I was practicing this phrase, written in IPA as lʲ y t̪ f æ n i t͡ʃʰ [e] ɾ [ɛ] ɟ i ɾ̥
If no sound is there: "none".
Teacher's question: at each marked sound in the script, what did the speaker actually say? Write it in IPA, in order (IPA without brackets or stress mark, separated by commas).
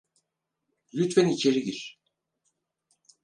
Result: e, i